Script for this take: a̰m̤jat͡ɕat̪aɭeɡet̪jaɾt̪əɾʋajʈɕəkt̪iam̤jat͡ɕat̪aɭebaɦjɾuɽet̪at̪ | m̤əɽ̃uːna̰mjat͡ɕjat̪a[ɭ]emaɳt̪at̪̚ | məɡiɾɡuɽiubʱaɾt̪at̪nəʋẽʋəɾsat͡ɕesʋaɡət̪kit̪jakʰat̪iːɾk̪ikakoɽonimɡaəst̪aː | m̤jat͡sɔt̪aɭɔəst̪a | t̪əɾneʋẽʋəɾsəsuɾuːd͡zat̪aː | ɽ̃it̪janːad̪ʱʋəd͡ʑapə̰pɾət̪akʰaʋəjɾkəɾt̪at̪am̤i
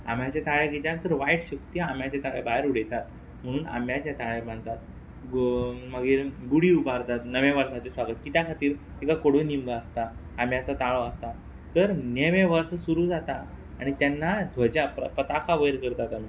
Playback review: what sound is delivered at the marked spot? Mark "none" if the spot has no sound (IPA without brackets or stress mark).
ɭ